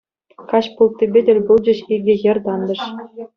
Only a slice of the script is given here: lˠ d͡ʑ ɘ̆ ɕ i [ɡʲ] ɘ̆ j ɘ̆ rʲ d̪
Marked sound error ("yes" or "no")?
no